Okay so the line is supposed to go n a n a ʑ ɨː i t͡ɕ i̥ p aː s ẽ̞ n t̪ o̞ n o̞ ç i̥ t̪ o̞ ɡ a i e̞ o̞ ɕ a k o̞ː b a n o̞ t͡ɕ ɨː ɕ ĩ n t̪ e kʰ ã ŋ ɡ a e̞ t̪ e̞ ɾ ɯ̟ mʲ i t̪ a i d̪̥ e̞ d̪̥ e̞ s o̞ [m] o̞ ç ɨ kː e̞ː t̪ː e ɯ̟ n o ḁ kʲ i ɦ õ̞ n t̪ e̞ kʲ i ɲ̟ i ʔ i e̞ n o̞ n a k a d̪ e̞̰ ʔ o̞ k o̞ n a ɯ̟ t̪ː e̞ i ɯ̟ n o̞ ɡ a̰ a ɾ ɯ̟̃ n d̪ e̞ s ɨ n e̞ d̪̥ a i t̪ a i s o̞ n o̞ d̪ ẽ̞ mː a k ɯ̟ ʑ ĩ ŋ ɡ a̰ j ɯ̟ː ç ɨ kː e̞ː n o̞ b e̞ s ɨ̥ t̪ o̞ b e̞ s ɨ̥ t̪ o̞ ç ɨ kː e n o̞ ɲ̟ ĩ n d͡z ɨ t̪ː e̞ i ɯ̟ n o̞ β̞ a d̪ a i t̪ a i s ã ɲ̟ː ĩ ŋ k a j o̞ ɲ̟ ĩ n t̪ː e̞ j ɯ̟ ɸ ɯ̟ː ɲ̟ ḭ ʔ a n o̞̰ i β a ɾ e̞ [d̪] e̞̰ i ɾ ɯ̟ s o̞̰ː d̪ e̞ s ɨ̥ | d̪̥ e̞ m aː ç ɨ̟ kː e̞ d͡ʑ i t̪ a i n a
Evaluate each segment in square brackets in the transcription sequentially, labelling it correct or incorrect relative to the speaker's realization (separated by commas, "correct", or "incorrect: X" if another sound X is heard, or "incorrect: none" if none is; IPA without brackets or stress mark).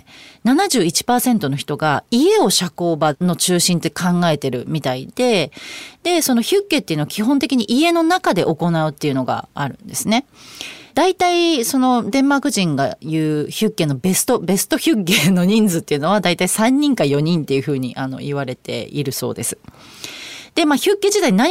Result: incorrect: n, incorrect: t̪